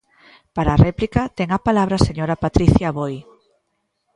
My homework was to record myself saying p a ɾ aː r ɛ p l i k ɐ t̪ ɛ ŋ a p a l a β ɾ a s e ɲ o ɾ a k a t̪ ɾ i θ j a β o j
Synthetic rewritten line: p a ɾ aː r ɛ p l i k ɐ t̪ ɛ ŋ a p a l a β ɾ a s e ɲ o ɾ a p a t̪ ɾ i θ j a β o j